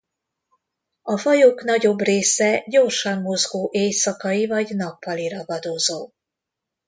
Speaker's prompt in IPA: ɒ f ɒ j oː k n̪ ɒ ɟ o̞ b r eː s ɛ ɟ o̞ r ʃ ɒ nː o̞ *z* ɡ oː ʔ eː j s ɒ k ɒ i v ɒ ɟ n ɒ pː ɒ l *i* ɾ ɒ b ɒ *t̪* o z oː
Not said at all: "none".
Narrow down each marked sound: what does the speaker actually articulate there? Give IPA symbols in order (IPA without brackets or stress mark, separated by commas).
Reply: z, i, d̪